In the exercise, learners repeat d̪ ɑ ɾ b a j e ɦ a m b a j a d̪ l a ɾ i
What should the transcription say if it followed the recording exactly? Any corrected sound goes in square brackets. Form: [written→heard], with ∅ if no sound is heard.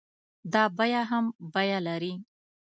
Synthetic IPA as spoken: d̪ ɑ [ɾ→∅] b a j [e→a] ɦ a m b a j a [d̪→∅] l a ɾ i